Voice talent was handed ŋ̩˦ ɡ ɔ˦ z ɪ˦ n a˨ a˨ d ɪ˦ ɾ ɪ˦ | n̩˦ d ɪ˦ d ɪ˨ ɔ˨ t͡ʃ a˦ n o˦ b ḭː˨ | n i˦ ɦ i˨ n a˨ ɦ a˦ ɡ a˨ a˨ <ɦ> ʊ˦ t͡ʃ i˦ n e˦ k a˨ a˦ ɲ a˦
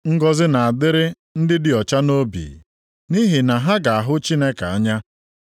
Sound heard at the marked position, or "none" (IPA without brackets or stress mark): ɦ